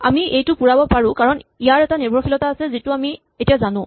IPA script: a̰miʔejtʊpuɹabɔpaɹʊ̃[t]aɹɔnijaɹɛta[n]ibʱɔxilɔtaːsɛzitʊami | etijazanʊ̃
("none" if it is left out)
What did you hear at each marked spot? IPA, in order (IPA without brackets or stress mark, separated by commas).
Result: k, n